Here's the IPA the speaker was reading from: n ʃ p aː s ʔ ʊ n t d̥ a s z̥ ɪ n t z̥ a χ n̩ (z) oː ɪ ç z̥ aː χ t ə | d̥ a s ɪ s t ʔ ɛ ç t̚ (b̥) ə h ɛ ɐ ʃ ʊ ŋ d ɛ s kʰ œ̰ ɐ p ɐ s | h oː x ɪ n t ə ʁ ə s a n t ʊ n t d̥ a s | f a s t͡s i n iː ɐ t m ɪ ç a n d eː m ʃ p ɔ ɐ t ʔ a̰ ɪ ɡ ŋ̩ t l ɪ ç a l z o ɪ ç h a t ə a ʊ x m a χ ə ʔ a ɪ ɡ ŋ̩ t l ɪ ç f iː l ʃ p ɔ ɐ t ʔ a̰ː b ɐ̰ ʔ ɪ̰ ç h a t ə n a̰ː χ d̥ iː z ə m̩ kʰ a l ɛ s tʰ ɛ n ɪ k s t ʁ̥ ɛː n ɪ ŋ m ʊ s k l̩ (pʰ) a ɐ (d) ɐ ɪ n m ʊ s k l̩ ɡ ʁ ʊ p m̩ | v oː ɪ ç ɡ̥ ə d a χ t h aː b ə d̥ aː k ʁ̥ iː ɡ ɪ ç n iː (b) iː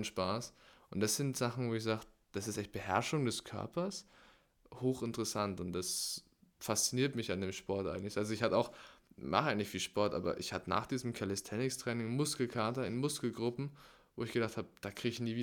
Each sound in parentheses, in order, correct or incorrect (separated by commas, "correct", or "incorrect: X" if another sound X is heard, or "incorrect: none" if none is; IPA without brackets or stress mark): incorrect: v, correct, incorrect: kʰ, incorrect: t, incorrect: v